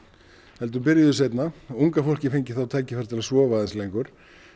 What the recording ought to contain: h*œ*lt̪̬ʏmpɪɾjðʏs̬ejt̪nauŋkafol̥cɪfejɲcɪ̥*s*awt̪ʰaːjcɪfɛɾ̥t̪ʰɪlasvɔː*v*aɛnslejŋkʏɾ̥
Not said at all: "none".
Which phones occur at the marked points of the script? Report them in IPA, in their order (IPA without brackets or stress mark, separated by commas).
ɛ, θ, v